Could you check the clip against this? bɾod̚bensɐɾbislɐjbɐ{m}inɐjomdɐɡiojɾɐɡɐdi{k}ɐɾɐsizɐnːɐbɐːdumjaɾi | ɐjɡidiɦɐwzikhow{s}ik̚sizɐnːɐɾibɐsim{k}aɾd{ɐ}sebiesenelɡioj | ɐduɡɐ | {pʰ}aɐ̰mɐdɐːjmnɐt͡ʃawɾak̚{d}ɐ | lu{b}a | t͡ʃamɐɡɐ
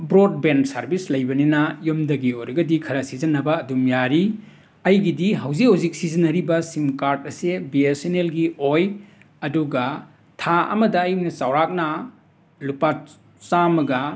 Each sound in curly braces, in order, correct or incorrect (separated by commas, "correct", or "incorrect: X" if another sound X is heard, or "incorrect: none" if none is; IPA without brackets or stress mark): incorrect: n, incorrect: kʰ, incorrect: z, correct, correct, incorrect: tʰ, incorrect: n, incorrect: p